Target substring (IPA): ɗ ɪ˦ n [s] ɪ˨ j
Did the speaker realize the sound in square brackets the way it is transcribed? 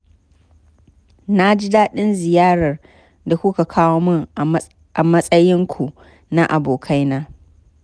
no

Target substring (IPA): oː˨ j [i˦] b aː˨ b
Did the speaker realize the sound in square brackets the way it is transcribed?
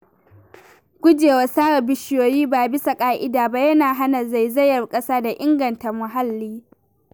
no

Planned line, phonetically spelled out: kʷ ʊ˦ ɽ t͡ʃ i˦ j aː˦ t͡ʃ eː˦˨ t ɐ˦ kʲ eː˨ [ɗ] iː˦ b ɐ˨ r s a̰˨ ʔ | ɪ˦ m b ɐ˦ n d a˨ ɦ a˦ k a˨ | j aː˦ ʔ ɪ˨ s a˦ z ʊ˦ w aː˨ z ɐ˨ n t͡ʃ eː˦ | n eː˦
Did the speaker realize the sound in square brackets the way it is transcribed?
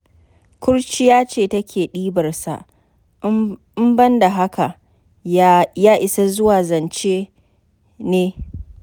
yes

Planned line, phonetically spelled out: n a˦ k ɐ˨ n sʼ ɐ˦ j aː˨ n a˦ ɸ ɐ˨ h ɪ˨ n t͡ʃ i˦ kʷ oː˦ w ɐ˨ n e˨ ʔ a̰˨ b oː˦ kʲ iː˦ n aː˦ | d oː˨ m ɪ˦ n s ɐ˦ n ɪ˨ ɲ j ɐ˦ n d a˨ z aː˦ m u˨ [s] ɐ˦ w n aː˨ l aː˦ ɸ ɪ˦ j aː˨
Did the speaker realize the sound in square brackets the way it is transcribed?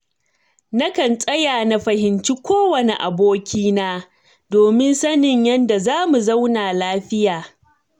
no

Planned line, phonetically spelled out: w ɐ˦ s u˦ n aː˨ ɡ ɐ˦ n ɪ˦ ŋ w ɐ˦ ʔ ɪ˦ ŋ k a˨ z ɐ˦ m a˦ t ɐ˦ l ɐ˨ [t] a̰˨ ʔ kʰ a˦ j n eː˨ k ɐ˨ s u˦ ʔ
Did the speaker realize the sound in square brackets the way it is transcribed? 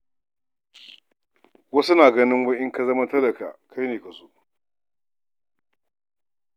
no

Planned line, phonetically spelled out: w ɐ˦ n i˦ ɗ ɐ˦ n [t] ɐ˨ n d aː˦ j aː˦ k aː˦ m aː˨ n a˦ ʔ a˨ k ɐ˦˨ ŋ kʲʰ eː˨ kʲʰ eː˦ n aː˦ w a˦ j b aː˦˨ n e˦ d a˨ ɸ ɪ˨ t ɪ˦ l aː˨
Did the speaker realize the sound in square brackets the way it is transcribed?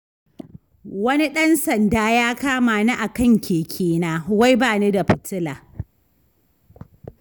no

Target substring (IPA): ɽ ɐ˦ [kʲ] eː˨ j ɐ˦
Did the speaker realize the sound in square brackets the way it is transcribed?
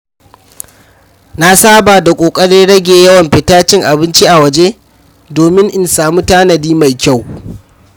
no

